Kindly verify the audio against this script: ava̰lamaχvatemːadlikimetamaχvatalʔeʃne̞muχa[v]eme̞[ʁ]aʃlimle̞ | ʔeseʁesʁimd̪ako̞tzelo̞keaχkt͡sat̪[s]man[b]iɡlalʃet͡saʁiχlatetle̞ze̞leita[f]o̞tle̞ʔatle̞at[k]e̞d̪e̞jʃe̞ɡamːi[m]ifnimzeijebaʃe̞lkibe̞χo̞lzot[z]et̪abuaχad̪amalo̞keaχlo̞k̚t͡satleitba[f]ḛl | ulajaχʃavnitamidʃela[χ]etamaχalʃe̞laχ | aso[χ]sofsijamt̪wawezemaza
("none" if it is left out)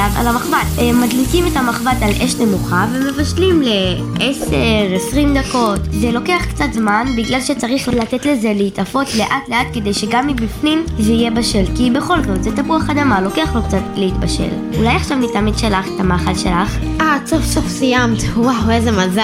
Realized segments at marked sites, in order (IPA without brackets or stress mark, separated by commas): v, v, z, b, f, k, b, z, ʃ, χ, f